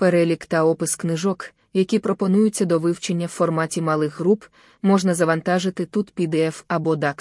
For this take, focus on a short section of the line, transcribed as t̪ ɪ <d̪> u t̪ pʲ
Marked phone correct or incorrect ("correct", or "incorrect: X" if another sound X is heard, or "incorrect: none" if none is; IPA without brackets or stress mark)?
incorrect: t̪